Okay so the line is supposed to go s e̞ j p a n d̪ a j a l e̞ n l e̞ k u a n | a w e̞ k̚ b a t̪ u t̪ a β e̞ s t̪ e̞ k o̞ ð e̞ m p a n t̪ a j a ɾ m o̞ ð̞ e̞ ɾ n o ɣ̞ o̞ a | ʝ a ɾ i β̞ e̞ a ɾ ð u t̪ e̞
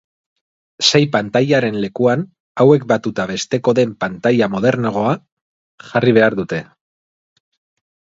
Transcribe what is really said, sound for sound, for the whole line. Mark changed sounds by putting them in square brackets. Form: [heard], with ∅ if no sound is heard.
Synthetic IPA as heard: s e̞ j p a n [t̪] a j a [ɾ] e̞ n l e̞ k u a n | a w e̞ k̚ b a t̪ u t̪ a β e̞ s t̪ e̞ k o̞ ð e̞ m p a n t̪ a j a [∅] m o̞ ð̞ e̞ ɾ n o ɣ̞ o̞ a | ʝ a [r] i β̞ e̞ a ɾ ð u t̪ e̞